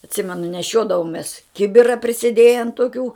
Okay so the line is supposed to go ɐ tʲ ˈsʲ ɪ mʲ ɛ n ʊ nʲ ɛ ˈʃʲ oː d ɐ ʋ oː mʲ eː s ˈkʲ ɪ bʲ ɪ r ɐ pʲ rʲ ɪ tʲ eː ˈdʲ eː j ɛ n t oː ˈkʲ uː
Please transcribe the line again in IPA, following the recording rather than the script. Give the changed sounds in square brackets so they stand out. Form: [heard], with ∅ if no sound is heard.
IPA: ɐ tʲ ˈsʲ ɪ mʲ ɛ n ʊ nʲ ɛ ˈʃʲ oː d ɐ ʋ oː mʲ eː s ˈkʲ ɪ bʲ ɪ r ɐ pʲ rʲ ɪ [sʲ] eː ˈdʲ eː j ɛ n t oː ˈkʲ uː